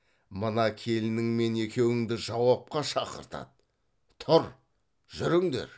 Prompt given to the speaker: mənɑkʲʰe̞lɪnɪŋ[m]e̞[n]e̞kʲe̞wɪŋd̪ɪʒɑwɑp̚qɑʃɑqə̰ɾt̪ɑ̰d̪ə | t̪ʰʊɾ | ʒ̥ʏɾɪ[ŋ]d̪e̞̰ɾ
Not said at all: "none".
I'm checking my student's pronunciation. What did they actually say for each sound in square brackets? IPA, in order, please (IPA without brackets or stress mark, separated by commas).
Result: m, n, ŋ